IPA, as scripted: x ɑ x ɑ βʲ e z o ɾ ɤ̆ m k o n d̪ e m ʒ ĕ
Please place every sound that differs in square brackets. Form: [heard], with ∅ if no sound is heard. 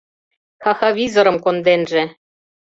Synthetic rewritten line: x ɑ x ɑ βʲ [i] z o ɾ ɤ̆ m k o n d̪ e [n] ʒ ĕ